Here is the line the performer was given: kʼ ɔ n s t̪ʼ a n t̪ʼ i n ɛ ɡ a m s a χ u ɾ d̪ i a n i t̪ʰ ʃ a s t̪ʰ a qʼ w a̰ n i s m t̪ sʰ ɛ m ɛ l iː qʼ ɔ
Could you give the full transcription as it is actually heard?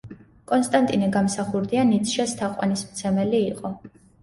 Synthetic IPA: kʼ ɔ n s t̪ʼ a n t̪ʼ i n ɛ ɡ a m s a χ u ɾ d̪ i a n i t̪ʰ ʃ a s t̪ʰ a qʼ w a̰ n i s m t̪ sʰ ɛ m ɛ l iː qʼ ɔ